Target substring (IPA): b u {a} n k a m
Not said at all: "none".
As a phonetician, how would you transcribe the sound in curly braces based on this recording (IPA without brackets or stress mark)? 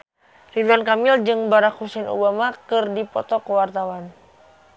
a